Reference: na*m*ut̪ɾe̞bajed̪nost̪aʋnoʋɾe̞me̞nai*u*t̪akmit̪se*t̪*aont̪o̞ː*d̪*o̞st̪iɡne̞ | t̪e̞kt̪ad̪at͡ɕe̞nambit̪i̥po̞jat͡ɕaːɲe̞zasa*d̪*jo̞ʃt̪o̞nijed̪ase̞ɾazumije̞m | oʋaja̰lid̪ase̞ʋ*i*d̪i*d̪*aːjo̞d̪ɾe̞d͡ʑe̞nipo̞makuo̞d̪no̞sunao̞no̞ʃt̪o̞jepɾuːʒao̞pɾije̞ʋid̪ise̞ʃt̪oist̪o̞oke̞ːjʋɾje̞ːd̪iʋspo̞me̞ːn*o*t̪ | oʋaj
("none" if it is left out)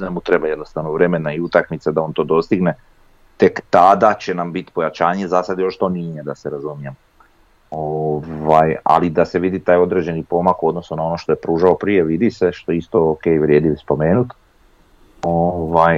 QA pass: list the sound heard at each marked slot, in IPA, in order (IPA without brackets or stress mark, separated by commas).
m, u, d̪, d̪, d̪, i, t̪, u